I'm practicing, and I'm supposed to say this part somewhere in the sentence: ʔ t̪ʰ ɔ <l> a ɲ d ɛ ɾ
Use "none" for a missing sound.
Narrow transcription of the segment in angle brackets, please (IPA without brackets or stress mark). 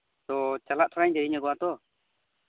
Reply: ɾ